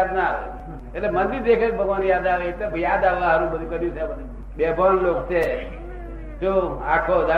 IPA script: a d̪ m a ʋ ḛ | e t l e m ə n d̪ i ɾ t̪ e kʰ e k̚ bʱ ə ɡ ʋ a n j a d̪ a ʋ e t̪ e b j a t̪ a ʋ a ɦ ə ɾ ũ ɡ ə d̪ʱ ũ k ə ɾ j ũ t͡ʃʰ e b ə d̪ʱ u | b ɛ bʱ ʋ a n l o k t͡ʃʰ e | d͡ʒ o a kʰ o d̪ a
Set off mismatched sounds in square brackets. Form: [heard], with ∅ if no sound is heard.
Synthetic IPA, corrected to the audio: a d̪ [n] a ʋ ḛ | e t l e m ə n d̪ i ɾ [d̪] e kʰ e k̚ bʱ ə ɡ ʋ a n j a d̪ a ʋ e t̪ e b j a [d̪] a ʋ a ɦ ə ɾ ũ [b] ə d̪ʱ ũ k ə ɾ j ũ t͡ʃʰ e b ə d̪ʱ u | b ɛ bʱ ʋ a n l o k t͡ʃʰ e | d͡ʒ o a kʰ o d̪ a